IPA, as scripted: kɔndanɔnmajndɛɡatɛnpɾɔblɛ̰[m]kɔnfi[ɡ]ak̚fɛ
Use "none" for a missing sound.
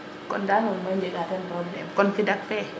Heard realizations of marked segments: m, d

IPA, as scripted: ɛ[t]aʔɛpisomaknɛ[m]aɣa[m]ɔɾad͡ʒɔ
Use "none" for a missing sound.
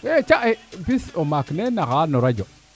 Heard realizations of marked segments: t͡ʃ, n, n

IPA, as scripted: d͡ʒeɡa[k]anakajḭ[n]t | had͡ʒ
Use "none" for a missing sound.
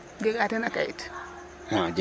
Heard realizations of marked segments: t, none

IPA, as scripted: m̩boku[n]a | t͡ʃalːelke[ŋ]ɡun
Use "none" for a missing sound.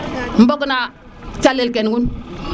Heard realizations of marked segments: n, n

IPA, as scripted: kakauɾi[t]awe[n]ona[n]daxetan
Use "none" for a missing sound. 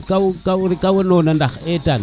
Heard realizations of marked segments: k, n, n

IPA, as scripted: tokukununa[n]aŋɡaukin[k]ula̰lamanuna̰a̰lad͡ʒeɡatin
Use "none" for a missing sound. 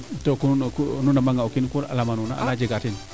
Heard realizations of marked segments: m, k

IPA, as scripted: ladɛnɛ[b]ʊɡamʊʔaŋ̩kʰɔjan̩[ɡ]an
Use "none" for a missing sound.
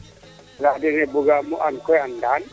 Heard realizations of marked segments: b, d

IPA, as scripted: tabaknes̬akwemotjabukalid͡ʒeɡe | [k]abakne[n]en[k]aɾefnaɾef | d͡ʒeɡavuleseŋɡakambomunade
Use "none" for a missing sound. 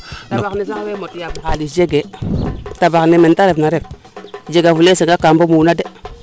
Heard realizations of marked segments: t, m, t

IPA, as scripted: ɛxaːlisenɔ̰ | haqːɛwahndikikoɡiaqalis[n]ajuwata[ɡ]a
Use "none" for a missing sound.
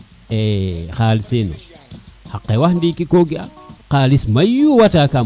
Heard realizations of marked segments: m, k

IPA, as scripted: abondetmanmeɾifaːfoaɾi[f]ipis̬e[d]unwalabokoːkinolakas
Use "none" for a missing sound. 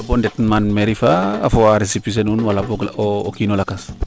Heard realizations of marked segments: s, n

